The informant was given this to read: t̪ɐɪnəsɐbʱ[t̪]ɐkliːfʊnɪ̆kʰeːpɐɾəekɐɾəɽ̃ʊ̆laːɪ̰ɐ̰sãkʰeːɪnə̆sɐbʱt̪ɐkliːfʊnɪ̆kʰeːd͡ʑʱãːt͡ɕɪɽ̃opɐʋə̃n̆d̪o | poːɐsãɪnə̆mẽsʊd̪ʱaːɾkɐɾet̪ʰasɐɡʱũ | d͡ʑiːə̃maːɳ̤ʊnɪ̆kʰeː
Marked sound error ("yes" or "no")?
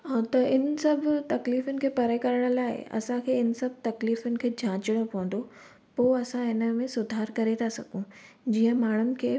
no